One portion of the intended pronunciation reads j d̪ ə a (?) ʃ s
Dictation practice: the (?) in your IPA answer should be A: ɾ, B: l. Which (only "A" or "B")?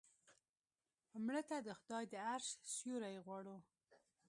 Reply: A